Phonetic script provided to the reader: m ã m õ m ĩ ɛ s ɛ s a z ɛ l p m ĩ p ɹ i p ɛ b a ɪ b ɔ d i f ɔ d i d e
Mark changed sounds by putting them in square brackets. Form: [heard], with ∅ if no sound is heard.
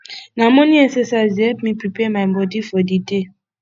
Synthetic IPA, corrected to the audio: [n] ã m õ [n] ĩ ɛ s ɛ s a z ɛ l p m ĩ p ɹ i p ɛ [m] a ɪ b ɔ d i f ɔ d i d e